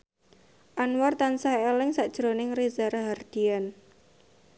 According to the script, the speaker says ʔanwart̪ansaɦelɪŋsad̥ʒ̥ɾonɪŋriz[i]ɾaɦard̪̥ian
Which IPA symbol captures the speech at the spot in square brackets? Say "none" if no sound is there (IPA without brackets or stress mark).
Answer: a